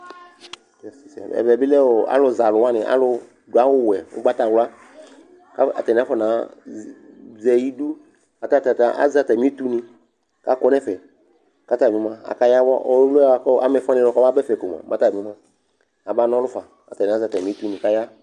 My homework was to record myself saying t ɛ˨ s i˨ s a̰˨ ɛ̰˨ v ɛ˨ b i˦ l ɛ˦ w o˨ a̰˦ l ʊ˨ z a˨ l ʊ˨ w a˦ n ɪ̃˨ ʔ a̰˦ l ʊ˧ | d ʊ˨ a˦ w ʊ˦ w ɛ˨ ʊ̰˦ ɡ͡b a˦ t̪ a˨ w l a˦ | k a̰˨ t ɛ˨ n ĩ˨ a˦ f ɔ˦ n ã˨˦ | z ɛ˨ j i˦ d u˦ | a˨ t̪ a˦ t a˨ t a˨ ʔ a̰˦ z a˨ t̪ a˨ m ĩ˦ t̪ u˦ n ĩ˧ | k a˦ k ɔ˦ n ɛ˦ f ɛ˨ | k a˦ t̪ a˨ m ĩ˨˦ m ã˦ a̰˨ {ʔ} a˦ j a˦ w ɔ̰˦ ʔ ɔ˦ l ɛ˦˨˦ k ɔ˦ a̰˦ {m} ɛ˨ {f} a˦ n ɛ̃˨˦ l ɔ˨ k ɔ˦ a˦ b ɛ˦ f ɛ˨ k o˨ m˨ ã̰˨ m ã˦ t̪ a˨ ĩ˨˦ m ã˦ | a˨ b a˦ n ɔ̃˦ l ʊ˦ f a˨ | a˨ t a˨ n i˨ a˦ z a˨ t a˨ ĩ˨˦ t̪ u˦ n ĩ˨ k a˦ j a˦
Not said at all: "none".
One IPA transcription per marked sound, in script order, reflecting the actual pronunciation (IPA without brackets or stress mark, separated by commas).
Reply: k, m, f